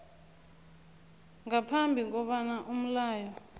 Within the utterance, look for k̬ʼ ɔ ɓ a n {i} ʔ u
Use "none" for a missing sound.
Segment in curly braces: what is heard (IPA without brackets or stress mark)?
a